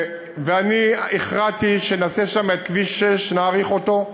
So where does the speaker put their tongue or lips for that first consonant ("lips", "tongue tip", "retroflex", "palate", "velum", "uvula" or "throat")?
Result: lips